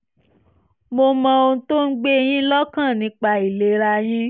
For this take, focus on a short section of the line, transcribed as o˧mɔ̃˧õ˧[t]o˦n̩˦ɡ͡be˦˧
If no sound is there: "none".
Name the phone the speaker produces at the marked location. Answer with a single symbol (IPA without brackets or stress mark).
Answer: t